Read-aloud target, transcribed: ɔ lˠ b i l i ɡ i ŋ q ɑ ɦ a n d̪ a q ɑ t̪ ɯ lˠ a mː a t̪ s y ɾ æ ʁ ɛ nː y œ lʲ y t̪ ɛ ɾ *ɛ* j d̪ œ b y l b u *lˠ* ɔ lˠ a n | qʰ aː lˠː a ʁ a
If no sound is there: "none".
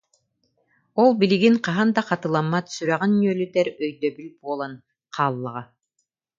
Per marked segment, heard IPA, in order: œ, none

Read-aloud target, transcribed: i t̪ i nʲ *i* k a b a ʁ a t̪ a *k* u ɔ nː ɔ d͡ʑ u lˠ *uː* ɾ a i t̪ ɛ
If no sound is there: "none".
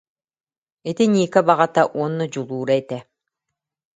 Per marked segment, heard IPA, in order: iː, ʔ, uː

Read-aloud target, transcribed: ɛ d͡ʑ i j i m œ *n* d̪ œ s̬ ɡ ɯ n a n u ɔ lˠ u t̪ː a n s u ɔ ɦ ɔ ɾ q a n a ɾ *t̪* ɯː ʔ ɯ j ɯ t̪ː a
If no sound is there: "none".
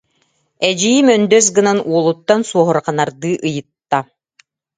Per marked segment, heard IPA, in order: n, d̪

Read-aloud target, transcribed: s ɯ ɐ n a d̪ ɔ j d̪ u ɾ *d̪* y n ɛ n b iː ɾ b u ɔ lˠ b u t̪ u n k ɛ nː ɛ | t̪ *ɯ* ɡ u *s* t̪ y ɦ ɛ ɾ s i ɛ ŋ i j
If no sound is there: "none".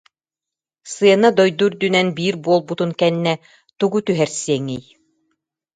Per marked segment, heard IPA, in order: d̪, u, none

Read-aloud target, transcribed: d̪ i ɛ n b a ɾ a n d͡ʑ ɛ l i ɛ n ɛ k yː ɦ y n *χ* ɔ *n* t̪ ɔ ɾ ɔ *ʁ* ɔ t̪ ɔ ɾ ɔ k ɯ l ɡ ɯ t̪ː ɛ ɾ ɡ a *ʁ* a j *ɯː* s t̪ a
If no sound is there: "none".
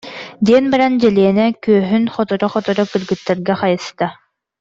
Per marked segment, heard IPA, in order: χ, none, χ, χ, ɯ

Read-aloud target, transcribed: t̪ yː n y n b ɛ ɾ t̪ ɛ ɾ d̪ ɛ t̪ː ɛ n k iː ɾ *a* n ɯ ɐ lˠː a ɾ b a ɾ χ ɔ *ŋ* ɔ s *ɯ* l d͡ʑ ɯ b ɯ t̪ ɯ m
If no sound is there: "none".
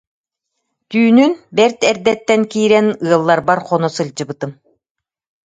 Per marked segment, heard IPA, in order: ɛ, n, ɯ

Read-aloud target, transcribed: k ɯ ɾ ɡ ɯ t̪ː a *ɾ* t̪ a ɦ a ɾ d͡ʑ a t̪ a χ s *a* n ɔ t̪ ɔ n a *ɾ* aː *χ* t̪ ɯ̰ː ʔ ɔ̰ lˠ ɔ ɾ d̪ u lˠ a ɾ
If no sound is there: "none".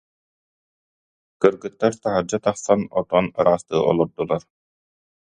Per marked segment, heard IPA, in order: ɾ, a, ɾ, s

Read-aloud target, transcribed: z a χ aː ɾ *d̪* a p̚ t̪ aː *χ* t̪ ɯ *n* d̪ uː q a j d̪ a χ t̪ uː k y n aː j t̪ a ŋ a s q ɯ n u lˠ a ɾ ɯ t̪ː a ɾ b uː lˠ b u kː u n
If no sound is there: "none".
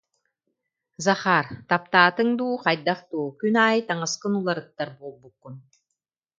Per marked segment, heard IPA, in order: t̪, none, ŋ

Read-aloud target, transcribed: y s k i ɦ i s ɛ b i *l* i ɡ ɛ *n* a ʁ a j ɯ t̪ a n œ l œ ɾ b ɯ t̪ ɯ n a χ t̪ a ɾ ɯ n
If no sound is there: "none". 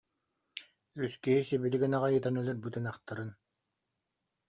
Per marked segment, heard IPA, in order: l, n

